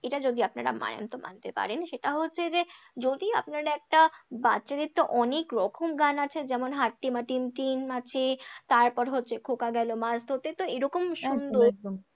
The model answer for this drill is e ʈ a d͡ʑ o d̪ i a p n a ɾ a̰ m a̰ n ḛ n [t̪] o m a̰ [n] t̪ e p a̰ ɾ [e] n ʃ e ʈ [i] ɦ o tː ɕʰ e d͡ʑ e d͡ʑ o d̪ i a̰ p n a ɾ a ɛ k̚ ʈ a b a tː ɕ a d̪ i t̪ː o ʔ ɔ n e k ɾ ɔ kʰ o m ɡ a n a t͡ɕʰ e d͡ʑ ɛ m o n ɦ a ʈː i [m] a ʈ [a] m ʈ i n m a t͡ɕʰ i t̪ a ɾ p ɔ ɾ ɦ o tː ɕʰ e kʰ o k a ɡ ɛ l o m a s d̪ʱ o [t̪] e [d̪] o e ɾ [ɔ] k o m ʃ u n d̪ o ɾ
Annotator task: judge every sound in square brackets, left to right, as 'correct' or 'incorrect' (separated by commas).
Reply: correct, correct, correct, incorrect, correct, incorrect, correct, incorrect, correct